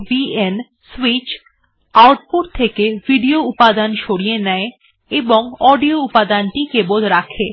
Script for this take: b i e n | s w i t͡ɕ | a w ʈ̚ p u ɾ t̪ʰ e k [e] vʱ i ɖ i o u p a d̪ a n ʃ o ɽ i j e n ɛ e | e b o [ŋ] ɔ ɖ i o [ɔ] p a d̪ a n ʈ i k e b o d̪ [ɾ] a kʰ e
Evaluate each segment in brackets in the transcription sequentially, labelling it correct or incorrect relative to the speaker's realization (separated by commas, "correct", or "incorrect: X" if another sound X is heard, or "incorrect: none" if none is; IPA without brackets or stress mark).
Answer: correct, correct, incorrect: u, correct